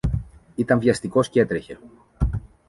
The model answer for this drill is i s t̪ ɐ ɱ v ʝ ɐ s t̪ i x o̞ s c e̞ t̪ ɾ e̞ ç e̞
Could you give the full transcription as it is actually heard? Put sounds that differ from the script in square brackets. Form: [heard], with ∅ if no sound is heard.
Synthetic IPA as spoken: i [∅] t̪ ɐ ɱ v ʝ ɐ s t̪ i [k] o̞ s c e̞ t̪ ɾ e̞ ç e̞